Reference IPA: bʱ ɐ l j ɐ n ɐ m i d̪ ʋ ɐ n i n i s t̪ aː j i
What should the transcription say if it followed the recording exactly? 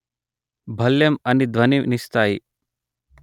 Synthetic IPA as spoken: bʱ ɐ l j ɐ m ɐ n i d̪ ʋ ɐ n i n i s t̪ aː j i